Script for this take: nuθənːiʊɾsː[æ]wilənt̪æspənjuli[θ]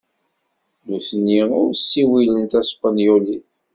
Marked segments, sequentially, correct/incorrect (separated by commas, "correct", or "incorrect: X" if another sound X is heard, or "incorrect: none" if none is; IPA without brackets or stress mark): incorrect: i, correct